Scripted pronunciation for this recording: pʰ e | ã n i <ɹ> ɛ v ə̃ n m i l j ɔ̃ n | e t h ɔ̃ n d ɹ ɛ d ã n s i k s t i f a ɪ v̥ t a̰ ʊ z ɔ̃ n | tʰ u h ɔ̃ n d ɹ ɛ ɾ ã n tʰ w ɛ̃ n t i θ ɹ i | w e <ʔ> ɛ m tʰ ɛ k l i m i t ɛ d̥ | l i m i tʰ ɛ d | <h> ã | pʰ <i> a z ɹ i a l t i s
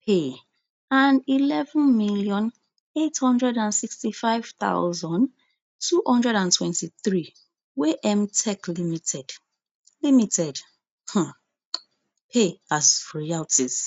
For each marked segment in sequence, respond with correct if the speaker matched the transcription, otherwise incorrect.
incorrect: l, correct, correct, incorrect: e

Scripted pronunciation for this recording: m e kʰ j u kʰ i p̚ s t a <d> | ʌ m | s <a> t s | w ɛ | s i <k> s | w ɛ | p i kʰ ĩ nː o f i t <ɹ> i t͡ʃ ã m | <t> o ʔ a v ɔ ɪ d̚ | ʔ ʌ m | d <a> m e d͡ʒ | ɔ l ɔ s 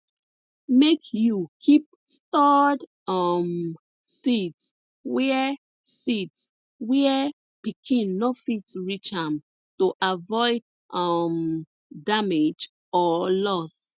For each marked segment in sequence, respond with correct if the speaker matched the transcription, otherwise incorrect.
correct, incorrect: i, incorrect: t, correct, correct, correct

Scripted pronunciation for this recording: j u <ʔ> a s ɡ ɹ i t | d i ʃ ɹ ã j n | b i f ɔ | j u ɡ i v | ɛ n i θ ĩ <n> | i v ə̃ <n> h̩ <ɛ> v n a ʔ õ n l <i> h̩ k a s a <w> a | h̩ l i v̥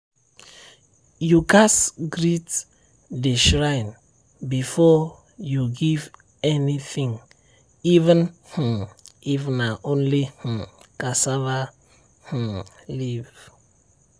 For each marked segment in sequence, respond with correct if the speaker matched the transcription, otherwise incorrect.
incorrect: k, incorrect: ŋ, correct, incorrect: i, correct, incorrect: v

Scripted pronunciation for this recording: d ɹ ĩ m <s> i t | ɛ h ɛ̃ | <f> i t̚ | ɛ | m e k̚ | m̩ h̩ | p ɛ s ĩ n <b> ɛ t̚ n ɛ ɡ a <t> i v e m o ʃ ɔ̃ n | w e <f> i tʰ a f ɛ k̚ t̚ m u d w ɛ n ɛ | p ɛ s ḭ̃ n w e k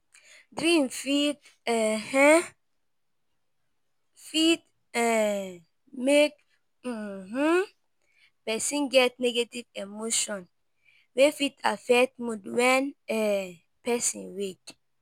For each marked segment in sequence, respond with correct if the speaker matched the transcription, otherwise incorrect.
incorrect: f, correct, incorrect: ɡ, correct, correct

